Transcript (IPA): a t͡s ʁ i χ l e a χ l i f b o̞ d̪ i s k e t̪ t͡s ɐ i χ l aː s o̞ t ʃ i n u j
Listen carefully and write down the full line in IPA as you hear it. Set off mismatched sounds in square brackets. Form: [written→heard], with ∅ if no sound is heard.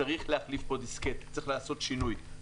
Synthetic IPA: a [t͡s→∅] ʁ i χ l e a χ l i f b o̞ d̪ i s k e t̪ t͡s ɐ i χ l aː s o̞ t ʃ i n u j

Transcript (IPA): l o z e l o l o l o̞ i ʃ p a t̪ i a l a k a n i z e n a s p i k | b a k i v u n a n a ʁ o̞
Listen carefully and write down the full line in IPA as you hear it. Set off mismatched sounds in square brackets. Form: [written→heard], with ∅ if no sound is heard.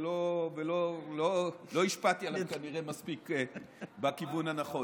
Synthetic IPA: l o [z→v] e l o l o l o̞ i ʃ p a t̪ i a l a k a n i [z→ʁ] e [n→m] a s p i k | b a k i v u n a n a [ʁ→χ] o̞

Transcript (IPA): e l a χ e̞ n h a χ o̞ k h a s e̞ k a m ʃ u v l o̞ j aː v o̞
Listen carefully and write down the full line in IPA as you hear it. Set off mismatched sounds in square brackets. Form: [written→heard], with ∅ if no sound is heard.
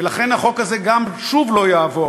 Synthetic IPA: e l a χ e̞ n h a χ o̞ k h a [s→z] e̞ [k→ɡ] a m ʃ u v l o̞ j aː v o̞

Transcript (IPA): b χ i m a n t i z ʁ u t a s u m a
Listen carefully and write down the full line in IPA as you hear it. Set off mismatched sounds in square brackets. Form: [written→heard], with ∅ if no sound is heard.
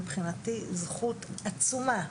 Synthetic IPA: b χ i [m→n] a [n→∅] t i z [ʁ→χ] u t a [s→t͡s] u m a

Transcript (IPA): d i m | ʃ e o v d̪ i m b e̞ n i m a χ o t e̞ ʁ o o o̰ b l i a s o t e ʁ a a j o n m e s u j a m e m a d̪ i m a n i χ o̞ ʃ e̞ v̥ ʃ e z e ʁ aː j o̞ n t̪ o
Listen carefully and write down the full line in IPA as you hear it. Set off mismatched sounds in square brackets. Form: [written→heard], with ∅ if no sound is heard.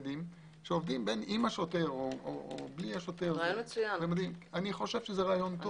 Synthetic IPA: d i m | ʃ e o v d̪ i m b e̞ n i m a [χ→ʃ] o t e̞ ʁ o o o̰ b l i a [s→ʃ] o t e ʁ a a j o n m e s u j a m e m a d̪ i m a n i χ o̞ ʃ e̞ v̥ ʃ e z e ʁ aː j o̞ n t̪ o

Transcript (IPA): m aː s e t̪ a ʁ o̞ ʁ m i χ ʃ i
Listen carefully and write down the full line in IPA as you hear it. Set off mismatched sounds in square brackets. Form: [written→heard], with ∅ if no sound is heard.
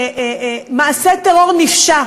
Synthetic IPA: m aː s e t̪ [a→e] ʁ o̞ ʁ [m→n] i [χ→f] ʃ [i→a]

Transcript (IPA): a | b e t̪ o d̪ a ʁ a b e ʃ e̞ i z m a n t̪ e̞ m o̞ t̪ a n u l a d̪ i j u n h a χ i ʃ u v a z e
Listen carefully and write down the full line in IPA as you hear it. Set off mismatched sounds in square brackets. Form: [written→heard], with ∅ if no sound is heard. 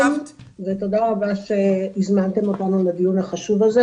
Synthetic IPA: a | [b→v] e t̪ o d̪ a ʁ a b [e→a] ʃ e̞ i z m a n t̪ e̞ m o̞ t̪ a n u l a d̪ i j u n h a χ [i→a] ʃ u v a z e

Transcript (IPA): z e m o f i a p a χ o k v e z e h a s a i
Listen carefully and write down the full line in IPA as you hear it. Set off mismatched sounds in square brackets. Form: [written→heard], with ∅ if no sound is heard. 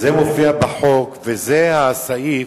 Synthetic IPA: z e m o f i a [p→b] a [χ→ħ] o k v e z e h a s a i

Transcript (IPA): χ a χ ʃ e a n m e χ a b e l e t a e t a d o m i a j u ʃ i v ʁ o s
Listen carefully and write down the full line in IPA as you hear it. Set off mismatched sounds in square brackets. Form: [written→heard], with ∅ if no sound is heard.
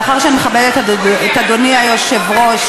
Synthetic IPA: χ a [χ→ʁ] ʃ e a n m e χ a b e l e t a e t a d o [m→n] i a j [u→o] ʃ [i→e] v ʁ o [s→ʃ]

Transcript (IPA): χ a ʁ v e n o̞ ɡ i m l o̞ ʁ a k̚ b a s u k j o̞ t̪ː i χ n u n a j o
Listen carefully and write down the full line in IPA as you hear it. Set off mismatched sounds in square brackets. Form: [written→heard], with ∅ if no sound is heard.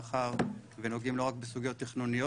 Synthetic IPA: χ a ʁ v e n o̞ ɡ i m l o̞ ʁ a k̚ b [a→e] s u [k→ɡ] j o̞ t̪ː i χ n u n [a→i] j o

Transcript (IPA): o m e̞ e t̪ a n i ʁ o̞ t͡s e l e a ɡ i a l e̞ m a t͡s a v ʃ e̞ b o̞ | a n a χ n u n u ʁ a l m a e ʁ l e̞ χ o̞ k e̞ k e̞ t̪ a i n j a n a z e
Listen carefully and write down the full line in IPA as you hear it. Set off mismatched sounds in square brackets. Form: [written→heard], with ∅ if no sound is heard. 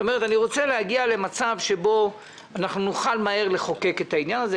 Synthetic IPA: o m e̞ e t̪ a n i ʁ o̞ t͡s e l e a ɡ i a l e̞ m a t͡s a v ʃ e̞ b o̞ | a n a χ n u n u [ʁ→χ] a l m a e ʁ l e̞ χ o̞ k e̞ k e̞ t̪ a i n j a n a z e

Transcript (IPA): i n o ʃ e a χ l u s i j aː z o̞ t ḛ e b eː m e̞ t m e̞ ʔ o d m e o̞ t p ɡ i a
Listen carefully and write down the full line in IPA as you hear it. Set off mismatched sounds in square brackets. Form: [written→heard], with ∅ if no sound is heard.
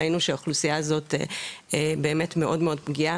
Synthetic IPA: i n [o→u] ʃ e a χ l u s i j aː z o̞ t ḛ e b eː m e̞ t m e̞ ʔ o d m e o̞ [t→d] p ɡ i a

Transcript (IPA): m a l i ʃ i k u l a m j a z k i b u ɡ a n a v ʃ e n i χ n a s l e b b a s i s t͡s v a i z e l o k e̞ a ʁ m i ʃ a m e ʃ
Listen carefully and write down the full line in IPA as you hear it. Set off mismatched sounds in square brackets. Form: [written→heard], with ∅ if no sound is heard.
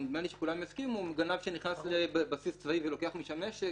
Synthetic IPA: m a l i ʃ [i→e] k u l a m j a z k i [b→m] u ɡ a n a v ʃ e n i χ n a s l e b b a s i s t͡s v a i [z→v] e l o k e̞ a [ʁ→χ] m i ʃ a m e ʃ

